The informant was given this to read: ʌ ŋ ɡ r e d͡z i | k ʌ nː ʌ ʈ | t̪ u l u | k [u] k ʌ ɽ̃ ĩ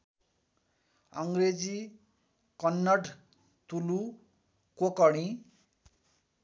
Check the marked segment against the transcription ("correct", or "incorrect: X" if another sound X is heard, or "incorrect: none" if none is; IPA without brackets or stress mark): incorrect: o